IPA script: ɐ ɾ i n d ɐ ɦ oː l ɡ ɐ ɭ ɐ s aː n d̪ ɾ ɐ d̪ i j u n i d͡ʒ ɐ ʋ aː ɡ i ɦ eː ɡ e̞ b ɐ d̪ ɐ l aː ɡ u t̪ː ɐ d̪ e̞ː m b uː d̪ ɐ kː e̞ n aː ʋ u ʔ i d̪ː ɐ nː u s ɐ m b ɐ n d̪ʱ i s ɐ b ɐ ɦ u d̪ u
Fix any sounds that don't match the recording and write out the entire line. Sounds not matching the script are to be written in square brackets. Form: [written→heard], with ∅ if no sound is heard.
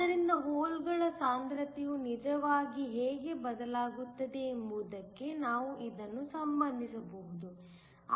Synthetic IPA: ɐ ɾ i n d ɐ ɦ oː l ɡ ɐ ɭ ɐ s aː n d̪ ɾ ɐ [d̪→t̪] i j u n i d͡ʒ ɐ ʋ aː ɡ i ɦ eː ɡ e̞ b ɐ d̪ ɐ l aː ɡ u t̪ː ɐ d̪ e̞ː m b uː d̪ ɐ kː e̞ n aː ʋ u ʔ i [d̪ː→d̪] ɐ nː u s ɐ m b ɐ n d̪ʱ i s ɐ b ɐ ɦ u d̪ u

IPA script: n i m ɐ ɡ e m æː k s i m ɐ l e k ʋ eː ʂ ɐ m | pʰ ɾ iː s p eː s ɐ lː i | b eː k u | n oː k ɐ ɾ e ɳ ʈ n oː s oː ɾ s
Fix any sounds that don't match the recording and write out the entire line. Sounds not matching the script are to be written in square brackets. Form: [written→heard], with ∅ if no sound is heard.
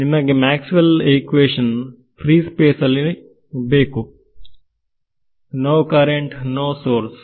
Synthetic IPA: n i m ɐ ɡ e m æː k s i m ɐ l e k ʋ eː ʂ ɐ [m→n] | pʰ ɾ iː s p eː s ɐ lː i | b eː k u | n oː k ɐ ɾ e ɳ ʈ n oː s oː ɾ s

